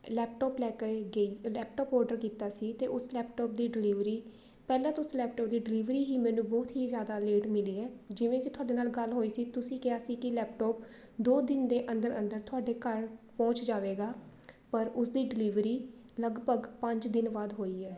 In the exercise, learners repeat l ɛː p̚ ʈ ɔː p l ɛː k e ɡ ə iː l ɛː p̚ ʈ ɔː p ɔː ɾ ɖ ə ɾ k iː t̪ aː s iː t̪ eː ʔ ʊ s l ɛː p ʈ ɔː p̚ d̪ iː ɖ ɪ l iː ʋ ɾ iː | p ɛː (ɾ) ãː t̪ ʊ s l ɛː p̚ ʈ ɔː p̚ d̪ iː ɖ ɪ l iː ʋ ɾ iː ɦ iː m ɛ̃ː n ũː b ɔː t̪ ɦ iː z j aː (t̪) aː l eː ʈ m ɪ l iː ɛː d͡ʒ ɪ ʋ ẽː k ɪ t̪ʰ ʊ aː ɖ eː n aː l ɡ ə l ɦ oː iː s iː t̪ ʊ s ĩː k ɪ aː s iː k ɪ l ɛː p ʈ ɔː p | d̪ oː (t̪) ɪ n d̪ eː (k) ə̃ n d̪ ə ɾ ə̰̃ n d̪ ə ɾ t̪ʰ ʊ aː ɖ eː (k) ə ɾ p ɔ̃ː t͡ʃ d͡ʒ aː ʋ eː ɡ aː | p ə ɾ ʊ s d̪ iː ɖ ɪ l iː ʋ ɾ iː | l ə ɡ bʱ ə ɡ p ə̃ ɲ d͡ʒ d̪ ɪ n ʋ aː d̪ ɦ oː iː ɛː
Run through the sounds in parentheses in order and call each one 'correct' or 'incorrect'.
incorrect: l, incorrect: d̪, incorrect: d̪, incorrect: ʔ, correct

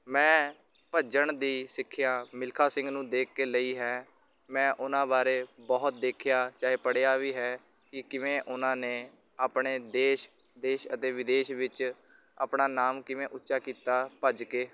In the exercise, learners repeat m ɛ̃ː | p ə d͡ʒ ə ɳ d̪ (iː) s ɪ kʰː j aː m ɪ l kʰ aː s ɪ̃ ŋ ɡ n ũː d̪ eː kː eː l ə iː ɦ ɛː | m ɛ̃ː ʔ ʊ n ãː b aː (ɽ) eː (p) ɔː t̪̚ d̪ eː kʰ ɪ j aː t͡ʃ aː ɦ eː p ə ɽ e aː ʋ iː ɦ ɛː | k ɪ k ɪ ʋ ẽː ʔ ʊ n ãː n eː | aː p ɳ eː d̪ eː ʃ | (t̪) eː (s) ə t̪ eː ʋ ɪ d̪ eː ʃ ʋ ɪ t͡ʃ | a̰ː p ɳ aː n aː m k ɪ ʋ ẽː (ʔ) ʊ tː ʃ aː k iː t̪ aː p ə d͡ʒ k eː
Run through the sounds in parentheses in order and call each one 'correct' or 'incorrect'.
correct, incorrect: ɾ, incorrect: b, incorrect: d̪, incorrect: ʃ, correct

